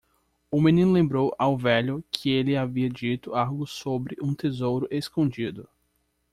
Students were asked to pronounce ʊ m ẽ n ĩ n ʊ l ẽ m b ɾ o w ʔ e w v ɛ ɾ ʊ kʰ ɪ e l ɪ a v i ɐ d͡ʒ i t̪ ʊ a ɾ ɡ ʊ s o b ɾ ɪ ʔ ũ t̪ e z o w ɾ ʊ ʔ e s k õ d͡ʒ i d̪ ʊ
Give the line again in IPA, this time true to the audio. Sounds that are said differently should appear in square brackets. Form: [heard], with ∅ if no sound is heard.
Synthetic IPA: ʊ m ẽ n ĩ n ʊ l ẽ m b ɾ o w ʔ [a] w v ɛ [ʎ] ʊ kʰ ɪ e l ɪ a v i ɐ d͡ʒ i t̪ ʊ a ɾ ɡ ʊ s o b ɾ ɪ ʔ ũ t̪ e z o w ɾ ʊ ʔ e s k õ d͡ʒ i d̪ ʊ